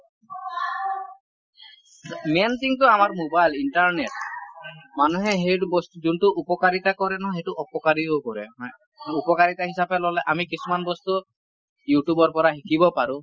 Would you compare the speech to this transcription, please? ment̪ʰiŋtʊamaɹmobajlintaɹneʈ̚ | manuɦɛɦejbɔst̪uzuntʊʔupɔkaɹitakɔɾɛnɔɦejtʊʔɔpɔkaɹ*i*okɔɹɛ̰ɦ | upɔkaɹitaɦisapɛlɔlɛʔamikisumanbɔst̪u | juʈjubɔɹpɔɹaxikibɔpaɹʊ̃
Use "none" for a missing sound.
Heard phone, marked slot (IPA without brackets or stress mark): i